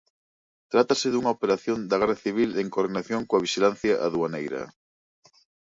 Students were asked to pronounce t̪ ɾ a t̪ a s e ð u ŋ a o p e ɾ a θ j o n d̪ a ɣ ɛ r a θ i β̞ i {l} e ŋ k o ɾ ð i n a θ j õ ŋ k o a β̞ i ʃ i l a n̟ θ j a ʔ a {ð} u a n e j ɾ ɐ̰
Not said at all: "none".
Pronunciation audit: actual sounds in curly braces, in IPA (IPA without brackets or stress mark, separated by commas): l, ð